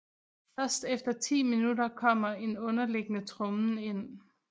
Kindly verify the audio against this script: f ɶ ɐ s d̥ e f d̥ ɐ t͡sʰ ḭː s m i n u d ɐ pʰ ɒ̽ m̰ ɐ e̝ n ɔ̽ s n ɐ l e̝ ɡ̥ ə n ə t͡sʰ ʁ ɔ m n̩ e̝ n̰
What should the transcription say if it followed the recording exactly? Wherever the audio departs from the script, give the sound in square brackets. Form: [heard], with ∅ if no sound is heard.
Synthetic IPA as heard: f ɶ ɐ s d̥ e f d̥ ɐ t͡sʰ ḭː [∅] m i n u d ɐ [kʰ] ɒ̽ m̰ ɐ e̝ n ɔ̽ [∅] n ɐ l e̝ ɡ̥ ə n ə t͡sʰ ʁ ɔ m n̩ e̝ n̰